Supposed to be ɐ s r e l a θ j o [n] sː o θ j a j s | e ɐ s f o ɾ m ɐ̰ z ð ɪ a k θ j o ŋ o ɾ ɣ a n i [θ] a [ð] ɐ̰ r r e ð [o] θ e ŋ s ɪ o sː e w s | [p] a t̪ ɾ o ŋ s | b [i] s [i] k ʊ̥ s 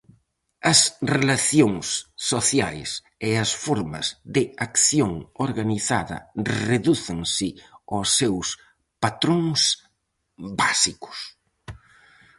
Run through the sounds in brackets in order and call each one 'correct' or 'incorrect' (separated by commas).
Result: incorrect, correct, correct, incorrect, correct, incorrect, correct